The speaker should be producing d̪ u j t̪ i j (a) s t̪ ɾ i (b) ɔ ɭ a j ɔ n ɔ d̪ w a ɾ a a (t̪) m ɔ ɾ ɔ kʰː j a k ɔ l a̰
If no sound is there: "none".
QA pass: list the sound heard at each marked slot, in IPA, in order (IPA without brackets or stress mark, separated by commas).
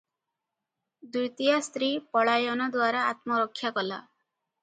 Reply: a, p, t̪